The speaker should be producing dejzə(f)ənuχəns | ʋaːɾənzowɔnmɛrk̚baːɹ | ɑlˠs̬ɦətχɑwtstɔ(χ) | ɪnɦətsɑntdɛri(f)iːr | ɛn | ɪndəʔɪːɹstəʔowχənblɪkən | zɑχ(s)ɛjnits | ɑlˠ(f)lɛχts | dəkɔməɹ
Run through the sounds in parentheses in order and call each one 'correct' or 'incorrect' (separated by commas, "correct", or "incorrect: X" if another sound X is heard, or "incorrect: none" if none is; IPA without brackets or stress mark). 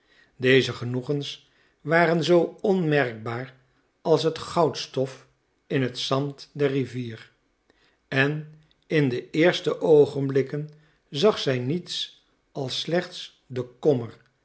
incorrect: χ, incorrect: f, incorrect: v, correct, incorrect: s